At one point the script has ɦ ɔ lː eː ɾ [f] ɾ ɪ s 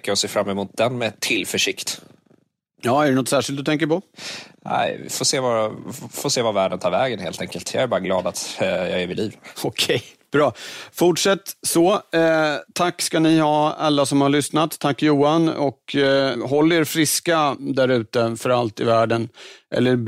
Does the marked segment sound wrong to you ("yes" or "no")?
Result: no